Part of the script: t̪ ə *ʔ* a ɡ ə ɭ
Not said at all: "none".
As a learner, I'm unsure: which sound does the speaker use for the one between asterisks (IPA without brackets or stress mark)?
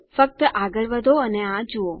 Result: ʔ